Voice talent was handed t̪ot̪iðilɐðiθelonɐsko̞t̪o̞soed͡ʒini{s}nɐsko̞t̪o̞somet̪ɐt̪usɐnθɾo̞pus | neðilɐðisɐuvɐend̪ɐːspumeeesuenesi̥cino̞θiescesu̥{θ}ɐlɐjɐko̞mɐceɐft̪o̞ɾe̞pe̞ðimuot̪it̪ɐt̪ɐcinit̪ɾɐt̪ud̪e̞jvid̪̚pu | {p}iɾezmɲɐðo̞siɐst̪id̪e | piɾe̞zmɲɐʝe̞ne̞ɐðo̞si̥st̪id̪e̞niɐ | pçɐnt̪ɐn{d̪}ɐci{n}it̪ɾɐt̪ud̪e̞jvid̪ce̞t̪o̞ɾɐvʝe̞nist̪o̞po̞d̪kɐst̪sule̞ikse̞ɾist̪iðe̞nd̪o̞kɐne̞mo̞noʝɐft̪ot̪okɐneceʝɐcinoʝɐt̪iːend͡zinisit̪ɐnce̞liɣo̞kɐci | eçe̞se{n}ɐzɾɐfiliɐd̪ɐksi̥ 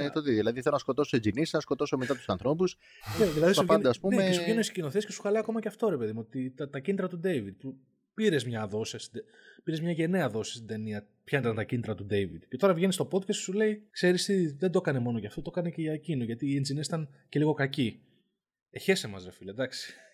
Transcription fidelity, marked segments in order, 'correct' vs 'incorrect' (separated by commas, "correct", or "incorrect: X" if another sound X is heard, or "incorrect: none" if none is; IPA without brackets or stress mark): correct, incorrect: x, correct, incorrect: t̪, correct, incorrect: m